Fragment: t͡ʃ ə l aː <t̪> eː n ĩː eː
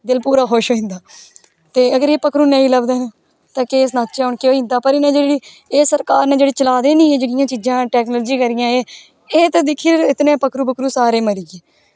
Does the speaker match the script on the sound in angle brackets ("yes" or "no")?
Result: no